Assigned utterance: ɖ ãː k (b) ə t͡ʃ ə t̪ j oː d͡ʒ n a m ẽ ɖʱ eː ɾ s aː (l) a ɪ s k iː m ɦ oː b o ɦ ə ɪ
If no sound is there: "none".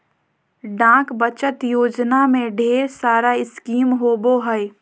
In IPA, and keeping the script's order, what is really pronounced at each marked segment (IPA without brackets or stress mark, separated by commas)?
b, ɾ